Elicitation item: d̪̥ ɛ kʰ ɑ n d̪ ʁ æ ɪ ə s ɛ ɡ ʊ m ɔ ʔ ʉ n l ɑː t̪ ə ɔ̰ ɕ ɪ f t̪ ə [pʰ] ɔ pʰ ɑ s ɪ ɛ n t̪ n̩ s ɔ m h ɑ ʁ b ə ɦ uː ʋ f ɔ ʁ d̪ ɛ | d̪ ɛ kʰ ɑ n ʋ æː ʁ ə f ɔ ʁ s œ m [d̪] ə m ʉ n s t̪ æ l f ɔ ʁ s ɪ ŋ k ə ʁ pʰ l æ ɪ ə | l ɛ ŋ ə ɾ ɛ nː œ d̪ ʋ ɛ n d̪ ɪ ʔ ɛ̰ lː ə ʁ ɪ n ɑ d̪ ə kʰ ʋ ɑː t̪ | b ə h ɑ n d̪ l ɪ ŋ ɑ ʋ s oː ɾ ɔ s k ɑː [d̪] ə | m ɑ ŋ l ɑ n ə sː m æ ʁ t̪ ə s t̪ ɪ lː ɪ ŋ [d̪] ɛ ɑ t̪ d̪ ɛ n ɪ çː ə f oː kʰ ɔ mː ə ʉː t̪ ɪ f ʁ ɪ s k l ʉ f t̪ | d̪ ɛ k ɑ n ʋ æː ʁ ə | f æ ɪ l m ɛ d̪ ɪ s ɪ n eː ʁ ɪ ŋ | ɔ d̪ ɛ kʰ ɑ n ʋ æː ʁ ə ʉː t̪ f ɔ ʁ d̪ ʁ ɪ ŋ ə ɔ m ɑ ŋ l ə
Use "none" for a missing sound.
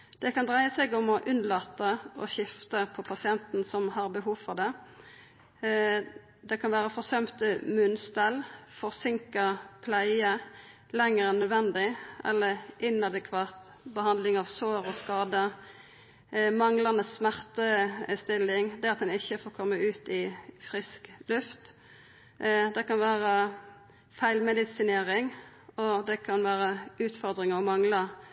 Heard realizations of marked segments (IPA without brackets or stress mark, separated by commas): pʰ, t̪, d̪, d̪